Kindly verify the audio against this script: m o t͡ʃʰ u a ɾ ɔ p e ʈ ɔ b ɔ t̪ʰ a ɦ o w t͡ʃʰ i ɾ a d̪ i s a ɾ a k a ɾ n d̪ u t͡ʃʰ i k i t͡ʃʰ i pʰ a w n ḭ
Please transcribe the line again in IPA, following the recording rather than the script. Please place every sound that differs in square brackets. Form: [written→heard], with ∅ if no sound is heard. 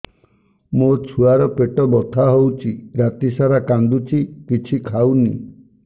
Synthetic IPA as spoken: m o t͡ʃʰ u a ɾ ɔ p e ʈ ɔ b ɔ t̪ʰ a ɦ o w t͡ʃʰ i ɾ a [d̪→t̪] i s a ɾ a k a [ɾ→∅] n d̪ u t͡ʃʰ i k i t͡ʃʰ i [pʰ→kʰ] a w n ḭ